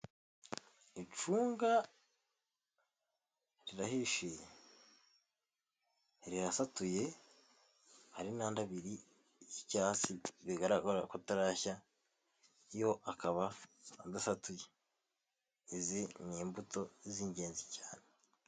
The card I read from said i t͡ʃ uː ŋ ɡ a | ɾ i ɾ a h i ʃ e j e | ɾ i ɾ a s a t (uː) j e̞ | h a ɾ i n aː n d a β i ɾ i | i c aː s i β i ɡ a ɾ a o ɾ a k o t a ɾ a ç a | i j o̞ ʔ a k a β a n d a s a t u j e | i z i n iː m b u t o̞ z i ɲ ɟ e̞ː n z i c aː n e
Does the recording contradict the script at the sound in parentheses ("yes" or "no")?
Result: yes